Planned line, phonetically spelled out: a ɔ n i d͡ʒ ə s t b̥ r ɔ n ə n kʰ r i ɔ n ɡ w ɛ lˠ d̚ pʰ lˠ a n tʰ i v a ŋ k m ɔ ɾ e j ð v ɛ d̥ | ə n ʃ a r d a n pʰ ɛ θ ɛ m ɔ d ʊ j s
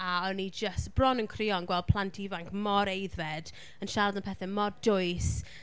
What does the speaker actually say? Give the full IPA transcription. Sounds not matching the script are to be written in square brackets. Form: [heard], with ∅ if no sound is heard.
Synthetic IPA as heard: a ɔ n i d͡ʒ ə s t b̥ r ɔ n ə n kʰ r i ɔ n ɡ w ɛ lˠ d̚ pʰ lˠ a n tʰ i v a ŋ k m ɔ ɾ e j ð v ɛ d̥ | ə n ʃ a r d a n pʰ ɛ θ ɛ m ɔ d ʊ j s

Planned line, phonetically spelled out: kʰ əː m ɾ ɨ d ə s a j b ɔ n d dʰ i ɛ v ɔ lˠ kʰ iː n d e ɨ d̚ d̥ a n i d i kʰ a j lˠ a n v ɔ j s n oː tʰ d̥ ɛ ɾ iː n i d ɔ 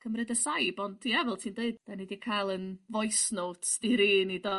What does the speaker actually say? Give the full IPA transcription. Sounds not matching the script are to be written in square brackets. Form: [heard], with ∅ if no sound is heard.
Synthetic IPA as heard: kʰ [ə] m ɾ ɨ d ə s a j b ɔ n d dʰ i ɛ v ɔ lˠ [tʰ] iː n d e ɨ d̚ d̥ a n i d i kʰ a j lˠ [ə] n v ɔ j s n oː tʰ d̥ [i] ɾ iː n i d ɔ

